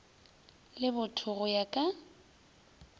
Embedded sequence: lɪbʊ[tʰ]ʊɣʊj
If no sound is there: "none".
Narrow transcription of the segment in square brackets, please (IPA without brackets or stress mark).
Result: tʰ